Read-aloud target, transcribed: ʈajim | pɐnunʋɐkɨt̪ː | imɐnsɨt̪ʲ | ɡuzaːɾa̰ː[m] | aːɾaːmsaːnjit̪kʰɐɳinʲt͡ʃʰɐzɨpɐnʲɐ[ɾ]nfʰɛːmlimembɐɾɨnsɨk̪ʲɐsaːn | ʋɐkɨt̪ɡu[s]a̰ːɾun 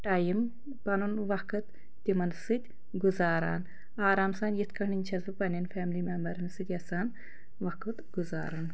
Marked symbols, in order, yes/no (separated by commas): no, no, no